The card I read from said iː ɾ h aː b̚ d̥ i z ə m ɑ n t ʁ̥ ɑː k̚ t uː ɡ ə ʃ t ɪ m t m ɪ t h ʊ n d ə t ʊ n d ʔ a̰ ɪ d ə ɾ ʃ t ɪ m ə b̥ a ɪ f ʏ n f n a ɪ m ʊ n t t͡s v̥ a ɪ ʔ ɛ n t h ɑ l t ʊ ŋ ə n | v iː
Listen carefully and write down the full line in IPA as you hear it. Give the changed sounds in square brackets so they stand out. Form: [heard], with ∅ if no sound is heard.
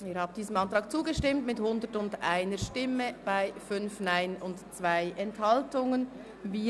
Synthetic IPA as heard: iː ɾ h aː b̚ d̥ [iː] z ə m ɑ n t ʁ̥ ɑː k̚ [t͡s] uː ɡ ə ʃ t ɪ m t m ɪ t h ʊ n d ə t ʊ n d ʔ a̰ ɪ [n] ə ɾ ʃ t ɪ m ə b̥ a ɪ f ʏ n f n a ɪ [n] ʊ n t t͡s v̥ a ɪ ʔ ɛ n t h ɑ l t ʊ ŋ ə n | v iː